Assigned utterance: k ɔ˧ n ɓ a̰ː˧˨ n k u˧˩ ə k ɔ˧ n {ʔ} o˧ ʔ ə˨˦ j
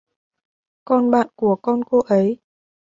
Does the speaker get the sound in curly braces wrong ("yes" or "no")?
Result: yes